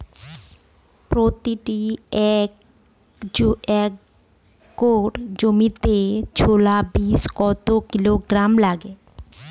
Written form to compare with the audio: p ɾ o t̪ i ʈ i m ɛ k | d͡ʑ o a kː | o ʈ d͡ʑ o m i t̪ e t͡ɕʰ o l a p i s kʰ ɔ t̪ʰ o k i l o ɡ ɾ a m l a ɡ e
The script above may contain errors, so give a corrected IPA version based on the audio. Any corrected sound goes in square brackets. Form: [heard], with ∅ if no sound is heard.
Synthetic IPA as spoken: p ɾ o t̪ i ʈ i [∅] ɛ k | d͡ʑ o [ɛ] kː | o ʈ d͡ʑ o m i t̪ e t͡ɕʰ o l a [b] i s [k] ɔ [t̪] o k i l o ɡ ɾ a m l a ɡ e